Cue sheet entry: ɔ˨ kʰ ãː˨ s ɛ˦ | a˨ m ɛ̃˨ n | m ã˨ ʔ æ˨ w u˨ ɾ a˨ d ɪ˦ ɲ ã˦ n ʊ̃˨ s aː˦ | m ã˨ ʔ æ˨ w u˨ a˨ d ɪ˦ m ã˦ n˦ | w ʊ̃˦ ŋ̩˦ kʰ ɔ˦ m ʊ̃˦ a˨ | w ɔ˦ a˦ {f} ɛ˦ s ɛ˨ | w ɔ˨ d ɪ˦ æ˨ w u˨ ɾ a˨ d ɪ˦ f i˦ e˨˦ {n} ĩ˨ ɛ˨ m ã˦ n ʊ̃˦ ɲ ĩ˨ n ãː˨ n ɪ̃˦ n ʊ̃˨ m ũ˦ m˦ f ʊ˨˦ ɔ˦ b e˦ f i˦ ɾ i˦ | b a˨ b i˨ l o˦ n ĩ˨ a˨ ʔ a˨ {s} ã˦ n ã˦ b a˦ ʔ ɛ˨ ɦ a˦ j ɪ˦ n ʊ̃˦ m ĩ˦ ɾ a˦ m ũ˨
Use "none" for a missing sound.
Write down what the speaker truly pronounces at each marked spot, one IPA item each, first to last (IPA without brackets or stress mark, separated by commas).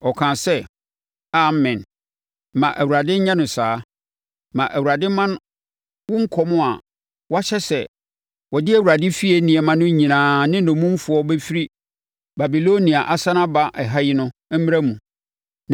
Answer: ɕ, n, s